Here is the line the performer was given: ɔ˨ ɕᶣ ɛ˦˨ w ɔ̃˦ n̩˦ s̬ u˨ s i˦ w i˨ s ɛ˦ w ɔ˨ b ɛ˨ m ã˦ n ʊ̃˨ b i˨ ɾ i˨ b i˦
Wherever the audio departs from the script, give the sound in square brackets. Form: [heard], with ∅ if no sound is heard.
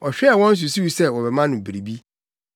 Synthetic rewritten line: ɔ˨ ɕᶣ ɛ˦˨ w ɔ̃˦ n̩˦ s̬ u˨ s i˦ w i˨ s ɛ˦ w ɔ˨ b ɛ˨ m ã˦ n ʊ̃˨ b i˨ ɾ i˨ b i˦